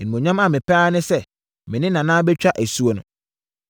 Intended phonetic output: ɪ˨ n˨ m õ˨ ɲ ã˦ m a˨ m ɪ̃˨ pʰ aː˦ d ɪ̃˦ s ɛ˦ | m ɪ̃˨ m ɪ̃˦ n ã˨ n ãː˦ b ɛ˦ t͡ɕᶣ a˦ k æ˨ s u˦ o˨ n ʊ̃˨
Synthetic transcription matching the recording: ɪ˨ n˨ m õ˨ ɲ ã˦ m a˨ m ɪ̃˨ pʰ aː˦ n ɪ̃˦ s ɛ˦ | m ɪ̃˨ n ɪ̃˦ n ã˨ n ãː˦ b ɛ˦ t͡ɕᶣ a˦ ʔ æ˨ s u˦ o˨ n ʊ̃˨